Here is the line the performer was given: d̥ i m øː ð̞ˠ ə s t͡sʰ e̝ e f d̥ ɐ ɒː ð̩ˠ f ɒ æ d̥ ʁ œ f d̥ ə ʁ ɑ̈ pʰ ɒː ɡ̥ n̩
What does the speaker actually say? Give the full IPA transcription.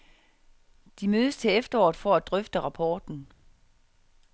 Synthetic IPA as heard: d̥ i m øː ð̞ˠ ə s t͡sʰ e̝ e f d̥ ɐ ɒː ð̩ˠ f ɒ æ d̥ ʁ œ f d̥ ə ʁ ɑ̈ pʰ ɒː d̥ n̩